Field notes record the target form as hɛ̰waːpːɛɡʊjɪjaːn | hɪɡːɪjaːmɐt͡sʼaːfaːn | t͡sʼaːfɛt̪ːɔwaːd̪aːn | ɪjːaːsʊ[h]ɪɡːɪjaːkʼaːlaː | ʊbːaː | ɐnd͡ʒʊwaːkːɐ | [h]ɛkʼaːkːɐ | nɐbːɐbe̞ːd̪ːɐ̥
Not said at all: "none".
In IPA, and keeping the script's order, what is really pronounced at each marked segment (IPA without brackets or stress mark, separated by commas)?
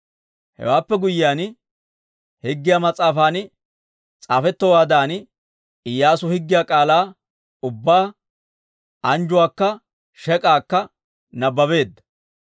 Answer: h, ʃ